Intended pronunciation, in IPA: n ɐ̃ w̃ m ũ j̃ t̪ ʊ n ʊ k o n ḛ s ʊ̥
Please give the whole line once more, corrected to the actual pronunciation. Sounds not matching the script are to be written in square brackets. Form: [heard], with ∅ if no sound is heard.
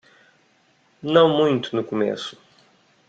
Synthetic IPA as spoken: n ɐ̃ w̃ m ũ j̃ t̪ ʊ n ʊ k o [m] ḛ s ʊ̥